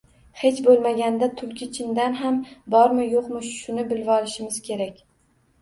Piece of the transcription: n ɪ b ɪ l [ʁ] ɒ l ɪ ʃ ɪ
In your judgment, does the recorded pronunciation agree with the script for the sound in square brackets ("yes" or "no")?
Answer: no